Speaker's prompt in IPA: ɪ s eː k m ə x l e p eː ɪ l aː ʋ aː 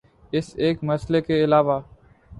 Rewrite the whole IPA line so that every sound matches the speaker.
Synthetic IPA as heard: ɪ s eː k m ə s l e k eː ɪ l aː ʋ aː